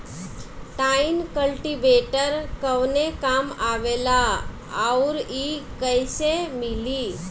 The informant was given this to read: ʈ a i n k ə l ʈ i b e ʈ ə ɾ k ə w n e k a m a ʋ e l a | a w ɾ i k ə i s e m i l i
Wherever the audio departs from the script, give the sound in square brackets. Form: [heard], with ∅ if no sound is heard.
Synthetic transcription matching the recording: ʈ a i n k ə l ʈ i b e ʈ ə ɾ k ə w n e k a m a ʋ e l a | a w ɾ i k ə [j] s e m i l i